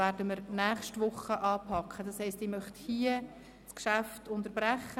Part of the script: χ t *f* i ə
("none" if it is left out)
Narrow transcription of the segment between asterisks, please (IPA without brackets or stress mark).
h